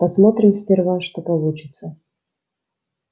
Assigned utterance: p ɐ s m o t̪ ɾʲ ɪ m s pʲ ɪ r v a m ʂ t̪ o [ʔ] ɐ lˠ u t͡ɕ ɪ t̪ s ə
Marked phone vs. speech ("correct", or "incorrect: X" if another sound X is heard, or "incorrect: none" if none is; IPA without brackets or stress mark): incorrect: p